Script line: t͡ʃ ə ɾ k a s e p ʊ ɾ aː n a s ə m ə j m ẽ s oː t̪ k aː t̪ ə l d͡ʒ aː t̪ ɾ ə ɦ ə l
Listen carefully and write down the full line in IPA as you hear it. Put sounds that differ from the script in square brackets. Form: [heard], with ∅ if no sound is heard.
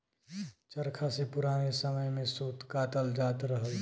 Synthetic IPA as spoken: t͡ʃ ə ɾ [kʰ] a s e p ʊ ɾ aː n [e] s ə m ə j m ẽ s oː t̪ k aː t̪ ə l d͡ʒ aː t̪ ɾ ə ɦ ə l